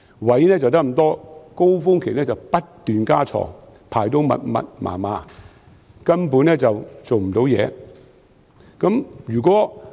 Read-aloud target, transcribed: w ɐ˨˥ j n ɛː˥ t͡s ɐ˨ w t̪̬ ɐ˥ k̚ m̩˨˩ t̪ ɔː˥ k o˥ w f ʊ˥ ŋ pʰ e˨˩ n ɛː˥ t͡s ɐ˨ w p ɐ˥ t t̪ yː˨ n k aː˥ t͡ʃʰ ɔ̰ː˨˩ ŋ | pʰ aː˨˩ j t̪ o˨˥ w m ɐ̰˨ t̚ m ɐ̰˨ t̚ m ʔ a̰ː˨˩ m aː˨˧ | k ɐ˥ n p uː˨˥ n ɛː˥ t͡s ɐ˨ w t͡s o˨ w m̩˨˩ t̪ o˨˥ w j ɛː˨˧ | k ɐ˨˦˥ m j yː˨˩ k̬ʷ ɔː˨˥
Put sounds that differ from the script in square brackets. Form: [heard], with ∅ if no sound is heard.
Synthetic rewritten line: w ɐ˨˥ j n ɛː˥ t͡s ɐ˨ w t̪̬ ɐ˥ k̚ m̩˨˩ t̪ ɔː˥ k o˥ w f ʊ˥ ŋ [kʰ] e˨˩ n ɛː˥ t͡s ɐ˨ w p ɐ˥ t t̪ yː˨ n k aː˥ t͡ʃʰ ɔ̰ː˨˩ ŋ | pʰ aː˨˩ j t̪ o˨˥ w m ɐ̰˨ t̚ m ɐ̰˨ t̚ m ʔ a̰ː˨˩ m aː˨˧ | k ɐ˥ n p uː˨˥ n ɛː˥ t͡s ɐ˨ w t͡s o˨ w m̩˨˩ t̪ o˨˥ w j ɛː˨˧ | k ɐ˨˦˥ m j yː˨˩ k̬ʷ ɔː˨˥